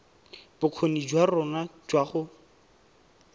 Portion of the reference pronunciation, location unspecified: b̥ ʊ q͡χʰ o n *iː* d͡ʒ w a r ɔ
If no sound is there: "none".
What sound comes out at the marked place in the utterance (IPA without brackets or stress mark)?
i